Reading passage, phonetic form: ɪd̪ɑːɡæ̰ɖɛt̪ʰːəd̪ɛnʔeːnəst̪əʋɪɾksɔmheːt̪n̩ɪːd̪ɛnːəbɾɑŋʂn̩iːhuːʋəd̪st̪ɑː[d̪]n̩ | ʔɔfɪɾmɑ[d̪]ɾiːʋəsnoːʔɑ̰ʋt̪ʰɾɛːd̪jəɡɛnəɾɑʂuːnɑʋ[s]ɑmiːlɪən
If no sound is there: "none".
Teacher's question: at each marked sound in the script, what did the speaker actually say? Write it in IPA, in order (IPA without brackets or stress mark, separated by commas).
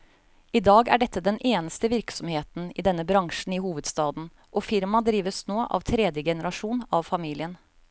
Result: d̪, d̪, f